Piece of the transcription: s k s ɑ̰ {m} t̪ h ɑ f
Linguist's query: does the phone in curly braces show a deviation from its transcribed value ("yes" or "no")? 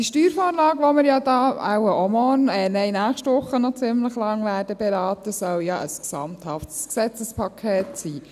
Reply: no